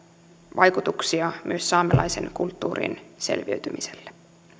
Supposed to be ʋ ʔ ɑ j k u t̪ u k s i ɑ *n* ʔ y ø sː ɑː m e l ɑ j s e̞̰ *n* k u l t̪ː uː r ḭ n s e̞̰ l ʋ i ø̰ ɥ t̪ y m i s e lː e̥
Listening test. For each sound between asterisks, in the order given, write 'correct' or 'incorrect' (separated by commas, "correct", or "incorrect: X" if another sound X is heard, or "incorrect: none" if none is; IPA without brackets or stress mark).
incorrect: m, correct